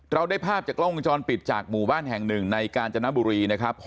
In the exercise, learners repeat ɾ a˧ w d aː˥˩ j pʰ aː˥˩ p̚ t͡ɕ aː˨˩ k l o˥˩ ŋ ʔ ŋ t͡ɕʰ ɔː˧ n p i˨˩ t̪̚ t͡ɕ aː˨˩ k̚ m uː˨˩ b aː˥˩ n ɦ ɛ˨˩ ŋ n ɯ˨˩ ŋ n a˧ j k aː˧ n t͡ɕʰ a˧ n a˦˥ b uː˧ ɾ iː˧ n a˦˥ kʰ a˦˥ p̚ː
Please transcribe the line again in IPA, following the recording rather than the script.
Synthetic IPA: ɾ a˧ w d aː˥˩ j pʰ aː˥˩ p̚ t͡ɕ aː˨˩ k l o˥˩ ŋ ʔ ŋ t͡ɕ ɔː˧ n p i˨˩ t̪̚ t͡ɕ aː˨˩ k̚ m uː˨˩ b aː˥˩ n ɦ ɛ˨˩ ŋ n ɯ˨˩ ŋ n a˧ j k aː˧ n t͡ɕ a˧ n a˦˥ b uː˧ ɾ iː˧ n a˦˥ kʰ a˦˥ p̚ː